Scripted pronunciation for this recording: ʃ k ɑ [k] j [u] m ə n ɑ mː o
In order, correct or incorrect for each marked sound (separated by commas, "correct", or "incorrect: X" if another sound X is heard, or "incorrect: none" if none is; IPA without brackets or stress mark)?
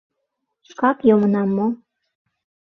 correct, incorrect: o